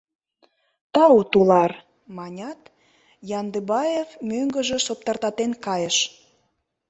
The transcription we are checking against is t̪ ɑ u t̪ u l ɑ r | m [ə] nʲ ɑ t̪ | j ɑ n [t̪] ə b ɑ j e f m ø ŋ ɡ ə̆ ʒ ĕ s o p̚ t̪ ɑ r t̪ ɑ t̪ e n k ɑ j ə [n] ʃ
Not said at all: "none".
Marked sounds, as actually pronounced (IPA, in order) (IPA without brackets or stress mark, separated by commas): ɑ, d̪, none